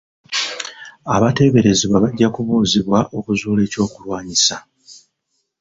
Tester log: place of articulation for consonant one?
labial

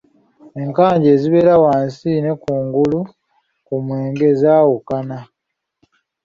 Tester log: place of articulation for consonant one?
velar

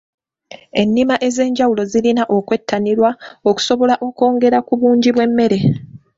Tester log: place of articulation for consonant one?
alveolar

